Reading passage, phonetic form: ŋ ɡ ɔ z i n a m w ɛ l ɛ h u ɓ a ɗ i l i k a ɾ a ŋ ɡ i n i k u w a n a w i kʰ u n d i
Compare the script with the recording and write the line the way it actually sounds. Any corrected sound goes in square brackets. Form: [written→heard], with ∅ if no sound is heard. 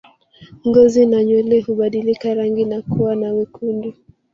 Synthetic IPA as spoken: ŋ ɡ ɔ z i n a [m→ɲ] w ɛ l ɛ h u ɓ a ɗ i l i k a ɾ a ŋ ɡ i n [i→a] k u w a n a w i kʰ u n d i